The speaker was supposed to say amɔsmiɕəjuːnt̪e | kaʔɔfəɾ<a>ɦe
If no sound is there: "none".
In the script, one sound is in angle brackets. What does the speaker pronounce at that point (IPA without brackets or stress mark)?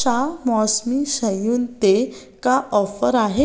a